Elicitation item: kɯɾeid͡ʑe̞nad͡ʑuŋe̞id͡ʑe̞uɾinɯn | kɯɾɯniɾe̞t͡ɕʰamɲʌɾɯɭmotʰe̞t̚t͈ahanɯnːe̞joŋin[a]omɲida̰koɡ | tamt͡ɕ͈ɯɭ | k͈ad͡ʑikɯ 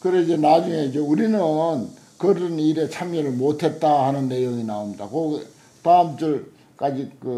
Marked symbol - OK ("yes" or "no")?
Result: yes